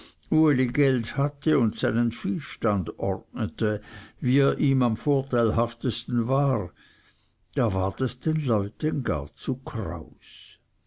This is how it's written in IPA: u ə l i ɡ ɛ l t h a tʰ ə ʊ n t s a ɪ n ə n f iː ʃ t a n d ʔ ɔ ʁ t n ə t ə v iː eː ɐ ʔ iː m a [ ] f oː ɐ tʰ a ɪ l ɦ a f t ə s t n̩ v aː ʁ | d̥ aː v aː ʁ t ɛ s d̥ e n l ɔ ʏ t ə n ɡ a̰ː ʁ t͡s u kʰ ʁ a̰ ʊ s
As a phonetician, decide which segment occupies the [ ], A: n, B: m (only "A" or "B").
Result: B